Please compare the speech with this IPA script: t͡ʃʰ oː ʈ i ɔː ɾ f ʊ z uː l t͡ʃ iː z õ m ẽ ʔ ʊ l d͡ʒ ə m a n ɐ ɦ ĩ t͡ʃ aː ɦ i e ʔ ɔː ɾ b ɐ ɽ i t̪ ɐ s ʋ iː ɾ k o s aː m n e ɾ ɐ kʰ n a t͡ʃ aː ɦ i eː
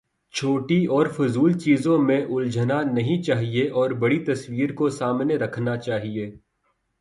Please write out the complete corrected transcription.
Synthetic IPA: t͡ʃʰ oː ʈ i ɔː ɾ f ʊ z uː l t͡ʃ iː z õ m ẽ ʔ ʊ l d͡ʒ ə n a n ɐ ɦ ĩ t͡ʃ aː ɦ i e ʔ ɔː ɾ b ɐ ɽ i t̪ ɐ s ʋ iː ɾ k o s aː m n e ɾ ɐ kʰ n a t͡ʃ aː ɦ i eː